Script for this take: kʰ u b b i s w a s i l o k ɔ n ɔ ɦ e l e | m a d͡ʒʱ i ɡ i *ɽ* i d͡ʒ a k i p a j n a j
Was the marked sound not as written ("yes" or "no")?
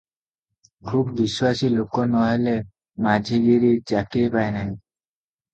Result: yes